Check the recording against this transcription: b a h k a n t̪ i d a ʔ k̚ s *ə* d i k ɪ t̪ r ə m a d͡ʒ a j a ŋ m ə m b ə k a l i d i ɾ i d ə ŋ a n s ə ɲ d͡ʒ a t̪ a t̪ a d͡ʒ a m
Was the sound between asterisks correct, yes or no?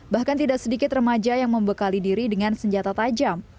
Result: yes